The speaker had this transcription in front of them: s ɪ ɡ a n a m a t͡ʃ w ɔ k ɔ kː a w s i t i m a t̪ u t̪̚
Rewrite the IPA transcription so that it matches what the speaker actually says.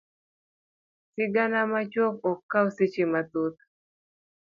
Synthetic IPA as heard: s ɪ ɡ a n a m a t͡ʃ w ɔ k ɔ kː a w s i t͡ʃ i m a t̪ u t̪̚